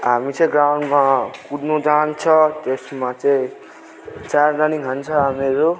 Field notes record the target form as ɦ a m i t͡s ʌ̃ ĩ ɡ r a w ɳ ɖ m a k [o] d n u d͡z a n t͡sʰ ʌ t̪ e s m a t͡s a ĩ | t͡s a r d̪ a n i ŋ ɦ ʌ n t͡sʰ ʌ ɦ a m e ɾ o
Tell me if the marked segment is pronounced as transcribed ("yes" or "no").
no